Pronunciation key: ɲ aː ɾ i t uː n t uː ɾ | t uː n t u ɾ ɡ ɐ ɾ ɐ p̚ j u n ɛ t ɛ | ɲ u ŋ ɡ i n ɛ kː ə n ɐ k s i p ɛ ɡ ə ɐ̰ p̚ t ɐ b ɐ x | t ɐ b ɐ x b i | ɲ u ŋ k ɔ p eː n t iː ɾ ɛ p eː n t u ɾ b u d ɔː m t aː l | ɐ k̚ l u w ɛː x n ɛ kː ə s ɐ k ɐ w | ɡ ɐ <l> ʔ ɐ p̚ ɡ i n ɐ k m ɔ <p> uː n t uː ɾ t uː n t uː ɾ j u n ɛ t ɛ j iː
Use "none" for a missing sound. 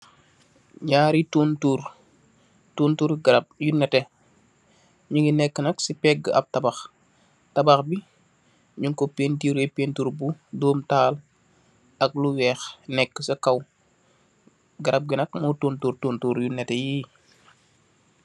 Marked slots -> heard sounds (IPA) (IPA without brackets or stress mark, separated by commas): ɾ, t